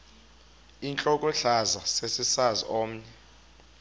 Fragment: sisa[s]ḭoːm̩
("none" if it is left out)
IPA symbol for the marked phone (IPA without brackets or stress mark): z